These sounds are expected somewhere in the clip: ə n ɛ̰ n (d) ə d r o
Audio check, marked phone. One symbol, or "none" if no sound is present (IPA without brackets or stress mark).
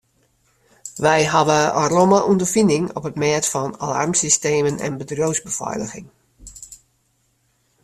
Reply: b